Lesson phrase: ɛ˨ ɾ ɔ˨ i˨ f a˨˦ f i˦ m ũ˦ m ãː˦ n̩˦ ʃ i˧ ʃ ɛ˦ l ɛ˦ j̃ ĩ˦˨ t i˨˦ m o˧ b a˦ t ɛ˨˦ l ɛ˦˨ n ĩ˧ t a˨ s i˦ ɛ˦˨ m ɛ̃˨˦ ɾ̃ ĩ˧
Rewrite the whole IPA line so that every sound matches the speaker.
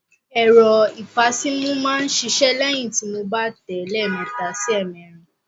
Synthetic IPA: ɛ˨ ɾ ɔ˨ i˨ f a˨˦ s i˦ m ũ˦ m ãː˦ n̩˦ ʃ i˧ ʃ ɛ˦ l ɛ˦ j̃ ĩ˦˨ t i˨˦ m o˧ b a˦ t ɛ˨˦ l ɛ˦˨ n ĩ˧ t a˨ s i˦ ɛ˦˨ m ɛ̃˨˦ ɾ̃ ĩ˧

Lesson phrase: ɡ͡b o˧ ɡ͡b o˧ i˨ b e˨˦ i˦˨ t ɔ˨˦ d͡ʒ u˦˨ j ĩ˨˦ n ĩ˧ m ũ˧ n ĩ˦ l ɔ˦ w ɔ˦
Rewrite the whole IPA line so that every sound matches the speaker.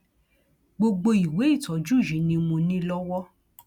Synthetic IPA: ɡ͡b o˧ ɡ͡b o˧ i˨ w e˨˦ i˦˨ t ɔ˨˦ d͡ʒ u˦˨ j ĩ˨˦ n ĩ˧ m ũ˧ n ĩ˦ l ɔ˦ w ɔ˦

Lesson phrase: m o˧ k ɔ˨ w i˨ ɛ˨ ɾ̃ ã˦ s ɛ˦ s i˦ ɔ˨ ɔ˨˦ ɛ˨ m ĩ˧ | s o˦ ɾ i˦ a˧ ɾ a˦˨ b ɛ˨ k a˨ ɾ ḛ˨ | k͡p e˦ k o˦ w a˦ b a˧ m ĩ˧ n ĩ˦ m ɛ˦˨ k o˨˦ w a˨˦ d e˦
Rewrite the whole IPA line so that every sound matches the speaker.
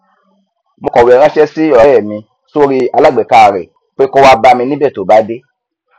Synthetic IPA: m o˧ k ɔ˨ w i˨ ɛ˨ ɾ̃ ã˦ ʃ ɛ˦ s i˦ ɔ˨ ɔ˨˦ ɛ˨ m ĩ˧ | s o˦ ɾ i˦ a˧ l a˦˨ ɡ͡b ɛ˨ k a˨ ɾ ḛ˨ | k͡p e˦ k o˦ w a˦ b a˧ m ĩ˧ n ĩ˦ b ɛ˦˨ t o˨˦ b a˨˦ d e˦

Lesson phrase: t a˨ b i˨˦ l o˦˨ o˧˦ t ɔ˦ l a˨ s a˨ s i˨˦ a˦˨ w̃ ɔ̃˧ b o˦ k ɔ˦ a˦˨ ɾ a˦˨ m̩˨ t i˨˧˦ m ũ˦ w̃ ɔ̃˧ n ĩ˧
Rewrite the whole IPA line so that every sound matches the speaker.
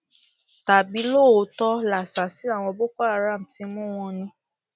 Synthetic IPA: t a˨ b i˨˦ l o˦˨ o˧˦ t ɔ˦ l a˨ s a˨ s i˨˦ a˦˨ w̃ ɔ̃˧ b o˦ k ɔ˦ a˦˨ ɾ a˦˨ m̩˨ t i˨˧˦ m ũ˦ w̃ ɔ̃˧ n ĩ˧

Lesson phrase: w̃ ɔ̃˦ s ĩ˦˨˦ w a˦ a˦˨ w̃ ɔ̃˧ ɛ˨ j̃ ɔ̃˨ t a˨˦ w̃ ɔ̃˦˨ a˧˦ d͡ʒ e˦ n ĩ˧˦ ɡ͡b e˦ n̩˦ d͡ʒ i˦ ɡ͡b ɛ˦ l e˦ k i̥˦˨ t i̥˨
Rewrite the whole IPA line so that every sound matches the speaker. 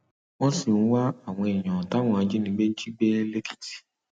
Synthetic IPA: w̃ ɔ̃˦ s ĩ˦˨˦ w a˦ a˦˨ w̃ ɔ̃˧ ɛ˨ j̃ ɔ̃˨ t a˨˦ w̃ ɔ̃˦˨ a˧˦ d͡ʒ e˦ n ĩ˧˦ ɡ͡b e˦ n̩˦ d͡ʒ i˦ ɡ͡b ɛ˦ l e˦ k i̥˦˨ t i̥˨

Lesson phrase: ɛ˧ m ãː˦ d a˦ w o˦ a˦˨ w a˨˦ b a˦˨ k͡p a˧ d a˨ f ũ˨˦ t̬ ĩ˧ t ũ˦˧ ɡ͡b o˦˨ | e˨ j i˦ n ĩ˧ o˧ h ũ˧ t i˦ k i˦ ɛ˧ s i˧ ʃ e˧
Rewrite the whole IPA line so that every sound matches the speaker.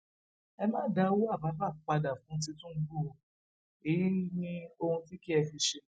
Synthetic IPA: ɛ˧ m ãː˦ d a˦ w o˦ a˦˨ b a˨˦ b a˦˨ k͡p a˧ d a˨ f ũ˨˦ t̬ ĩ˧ t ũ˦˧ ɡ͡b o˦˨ | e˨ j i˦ n ĩ˧ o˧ h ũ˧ t i˦ k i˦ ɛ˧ f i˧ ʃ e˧

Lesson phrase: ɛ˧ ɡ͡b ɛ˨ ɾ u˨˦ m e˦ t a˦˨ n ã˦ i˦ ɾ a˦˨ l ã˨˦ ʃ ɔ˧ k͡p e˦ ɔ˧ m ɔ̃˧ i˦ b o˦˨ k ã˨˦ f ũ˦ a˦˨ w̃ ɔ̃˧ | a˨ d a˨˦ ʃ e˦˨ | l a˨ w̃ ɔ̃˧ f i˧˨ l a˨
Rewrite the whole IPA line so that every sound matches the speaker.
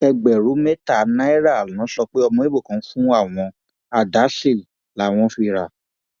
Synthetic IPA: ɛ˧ ɡ͡b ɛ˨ ɾ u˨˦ m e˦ t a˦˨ n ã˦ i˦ ɾ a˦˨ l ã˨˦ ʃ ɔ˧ k͡p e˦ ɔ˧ m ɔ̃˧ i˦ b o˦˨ k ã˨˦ f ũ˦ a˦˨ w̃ ɔ̃˧ | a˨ d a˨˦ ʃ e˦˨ | l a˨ w̃ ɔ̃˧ f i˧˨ ɾ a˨

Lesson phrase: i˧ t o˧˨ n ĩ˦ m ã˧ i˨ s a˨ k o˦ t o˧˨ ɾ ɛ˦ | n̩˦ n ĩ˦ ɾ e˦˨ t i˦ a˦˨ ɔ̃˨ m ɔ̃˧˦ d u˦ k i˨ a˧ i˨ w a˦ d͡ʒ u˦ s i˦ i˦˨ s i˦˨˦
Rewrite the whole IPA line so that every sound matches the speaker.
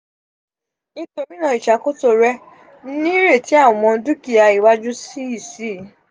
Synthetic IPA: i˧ t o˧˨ m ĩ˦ n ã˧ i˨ ʃ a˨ k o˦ t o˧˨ ɾ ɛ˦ | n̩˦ n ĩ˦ ɾ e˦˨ t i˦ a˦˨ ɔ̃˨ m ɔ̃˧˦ d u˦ k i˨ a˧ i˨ w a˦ d͡ʒ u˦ s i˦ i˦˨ s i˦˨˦

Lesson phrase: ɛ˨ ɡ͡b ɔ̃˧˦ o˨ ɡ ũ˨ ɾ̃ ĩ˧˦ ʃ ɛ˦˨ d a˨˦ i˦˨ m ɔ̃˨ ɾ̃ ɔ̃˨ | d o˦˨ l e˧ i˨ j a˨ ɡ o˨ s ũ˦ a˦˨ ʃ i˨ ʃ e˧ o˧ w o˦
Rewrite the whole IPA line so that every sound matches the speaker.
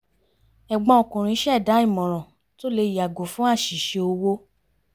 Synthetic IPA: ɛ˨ ɡ͡b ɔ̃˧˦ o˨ k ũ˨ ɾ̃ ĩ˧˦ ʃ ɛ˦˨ d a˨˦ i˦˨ m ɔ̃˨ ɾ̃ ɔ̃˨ | t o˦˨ l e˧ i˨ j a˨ ɡ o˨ f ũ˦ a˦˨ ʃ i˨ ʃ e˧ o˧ w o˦

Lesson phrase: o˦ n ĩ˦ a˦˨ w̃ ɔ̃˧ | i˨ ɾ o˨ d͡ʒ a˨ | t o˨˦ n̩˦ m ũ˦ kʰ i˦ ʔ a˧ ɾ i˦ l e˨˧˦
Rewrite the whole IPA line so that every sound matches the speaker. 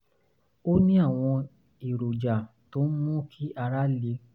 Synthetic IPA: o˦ n ĩ˦ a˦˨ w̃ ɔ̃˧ | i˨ ɾ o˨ d͡ʒ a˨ | t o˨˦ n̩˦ m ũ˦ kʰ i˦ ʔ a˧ ɾ a˦ l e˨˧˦

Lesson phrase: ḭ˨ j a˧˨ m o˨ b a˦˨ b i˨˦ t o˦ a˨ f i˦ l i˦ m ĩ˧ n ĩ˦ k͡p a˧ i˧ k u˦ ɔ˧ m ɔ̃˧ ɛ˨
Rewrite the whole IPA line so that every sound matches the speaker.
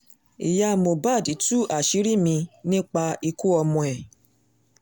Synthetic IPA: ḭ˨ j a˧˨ m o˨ b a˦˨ d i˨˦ t u˦ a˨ ʃ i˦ ɾ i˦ m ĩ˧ n ĩ˦ k͡p a˧ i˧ k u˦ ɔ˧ m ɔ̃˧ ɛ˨

